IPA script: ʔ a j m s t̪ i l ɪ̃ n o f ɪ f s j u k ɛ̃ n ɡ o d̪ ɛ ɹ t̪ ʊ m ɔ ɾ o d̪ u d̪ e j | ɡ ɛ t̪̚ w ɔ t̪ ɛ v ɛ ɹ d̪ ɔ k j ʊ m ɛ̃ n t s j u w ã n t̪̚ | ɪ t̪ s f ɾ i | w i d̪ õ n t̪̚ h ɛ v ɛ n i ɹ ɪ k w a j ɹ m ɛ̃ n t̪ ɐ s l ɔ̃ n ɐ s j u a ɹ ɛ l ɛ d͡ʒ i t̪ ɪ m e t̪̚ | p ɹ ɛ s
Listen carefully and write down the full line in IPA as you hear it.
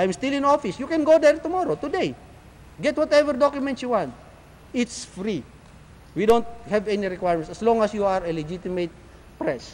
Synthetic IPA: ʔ a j m s t̪ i l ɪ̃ n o f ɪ s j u k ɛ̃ n ɡ o d̪ ɛ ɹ t̪ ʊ m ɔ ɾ o t̪ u d̪ e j | ɡ ɛ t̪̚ w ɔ t̪ ɛ v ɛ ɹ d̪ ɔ k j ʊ m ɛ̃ n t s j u w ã n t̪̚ | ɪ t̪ s f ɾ i | w i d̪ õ n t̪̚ h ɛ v ɛ n i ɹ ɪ k w a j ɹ m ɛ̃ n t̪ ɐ s l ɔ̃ ŋ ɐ s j u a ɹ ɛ l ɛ d͡ʒ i t̪ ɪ m e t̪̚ | p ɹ ɛ s